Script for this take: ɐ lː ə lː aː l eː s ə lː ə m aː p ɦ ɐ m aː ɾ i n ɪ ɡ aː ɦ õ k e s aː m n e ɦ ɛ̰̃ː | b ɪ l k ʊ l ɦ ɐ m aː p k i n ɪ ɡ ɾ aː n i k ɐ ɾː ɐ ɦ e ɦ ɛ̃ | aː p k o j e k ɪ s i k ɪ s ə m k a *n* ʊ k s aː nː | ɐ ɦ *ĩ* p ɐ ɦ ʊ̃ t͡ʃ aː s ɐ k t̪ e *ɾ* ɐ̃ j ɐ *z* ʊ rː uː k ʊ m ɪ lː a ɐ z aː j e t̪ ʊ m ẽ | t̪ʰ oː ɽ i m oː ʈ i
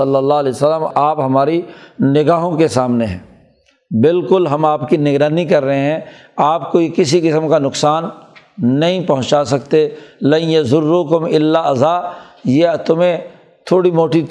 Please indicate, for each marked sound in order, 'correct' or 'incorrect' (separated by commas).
correct, correct, incorrect, correct